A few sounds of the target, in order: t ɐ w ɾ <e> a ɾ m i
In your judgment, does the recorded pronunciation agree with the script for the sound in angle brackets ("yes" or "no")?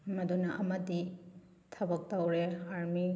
yes